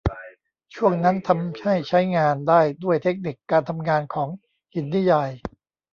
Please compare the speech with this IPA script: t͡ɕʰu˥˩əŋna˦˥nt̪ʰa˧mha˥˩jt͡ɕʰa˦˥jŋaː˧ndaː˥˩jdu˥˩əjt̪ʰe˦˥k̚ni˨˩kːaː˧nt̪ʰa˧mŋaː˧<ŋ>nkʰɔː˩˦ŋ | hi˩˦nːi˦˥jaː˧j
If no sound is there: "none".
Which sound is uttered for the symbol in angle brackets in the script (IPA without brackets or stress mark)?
none